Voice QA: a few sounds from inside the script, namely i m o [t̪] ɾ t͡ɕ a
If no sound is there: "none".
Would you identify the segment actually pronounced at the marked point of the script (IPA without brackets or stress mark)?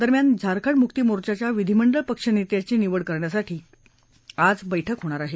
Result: none